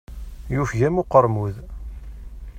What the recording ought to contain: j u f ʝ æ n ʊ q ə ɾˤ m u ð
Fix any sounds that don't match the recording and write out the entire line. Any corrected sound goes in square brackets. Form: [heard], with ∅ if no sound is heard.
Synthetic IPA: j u f ʝ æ [m] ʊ q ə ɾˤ m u ð